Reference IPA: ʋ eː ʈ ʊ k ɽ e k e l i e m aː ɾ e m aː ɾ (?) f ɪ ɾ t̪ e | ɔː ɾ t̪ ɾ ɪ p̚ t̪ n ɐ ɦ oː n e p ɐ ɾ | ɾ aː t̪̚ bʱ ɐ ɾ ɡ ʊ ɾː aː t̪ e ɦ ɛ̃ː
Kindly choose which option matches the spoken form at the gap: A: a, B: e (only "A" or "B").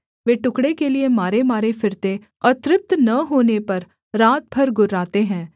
B